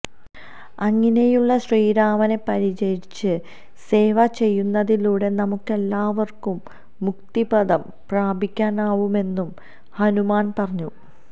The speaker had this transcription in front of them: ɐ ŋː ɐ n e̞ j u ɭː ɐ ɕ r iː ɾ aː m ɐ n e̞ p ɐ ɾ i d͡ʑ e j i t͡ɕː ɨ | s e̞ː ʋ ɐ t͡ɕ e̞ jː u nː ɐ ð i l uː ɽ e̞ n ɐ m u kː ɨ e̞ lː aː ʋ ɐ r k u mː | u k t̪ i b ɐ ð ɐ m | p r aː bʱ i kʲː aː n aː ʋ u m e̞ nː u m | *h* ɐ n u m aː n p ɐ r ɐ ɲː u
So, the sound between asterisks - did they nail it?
yes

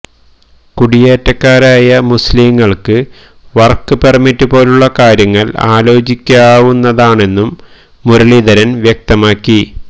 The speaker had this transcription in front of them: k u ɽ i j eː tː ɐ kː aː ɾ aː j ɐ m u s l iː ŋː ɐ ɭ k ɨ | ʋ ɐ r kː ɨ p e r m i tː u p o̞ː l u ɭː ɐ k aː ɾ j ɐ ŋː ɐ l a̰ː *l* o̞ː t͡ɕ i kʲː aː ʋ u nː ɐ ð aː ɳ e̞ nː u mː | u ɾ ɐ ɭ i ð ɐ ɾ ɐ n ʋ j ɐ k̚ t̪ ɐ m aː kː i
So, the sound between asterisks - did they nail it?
yes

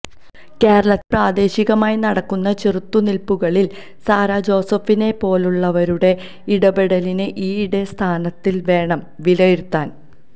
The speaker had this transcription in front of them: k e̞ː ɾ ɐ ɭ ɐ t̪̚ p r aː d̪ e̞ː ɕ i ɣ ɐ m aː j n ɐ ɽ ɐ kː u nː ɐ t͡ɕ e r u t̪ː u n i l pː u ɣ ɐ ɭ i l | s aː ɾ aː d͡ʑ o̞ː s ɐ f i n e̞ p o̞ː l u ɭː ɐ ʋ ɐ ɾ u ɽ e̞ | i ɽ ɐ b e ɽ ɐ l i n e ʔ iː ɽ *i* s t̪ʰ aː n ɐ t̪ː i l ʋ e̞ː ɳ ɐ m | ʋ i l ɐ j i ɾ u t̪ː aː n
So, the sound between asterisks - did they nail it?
no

